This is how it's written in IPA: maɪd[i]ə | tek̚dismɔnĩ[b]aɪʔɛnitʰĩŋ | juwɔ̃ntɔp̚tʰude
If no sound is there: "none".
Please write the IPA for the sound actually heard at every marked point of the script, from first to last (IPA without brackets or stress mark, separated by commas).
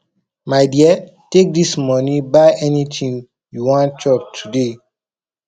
i, b